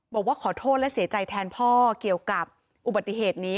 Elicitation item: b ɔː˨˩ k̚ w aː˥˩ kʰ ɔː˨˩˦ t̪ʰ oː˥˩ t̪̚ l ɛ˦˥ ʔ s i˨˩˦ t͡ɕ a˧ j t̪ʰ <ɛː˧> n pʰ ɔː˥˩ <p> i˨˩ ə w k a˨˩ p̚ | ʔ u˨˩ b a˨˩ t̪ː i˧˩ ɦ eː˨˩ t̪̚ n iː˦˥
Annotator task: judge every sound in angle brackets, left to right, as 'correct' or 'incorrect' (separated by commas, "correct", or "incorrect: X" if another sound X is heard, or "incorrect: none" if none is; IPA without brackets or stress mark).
correct, incorrect: k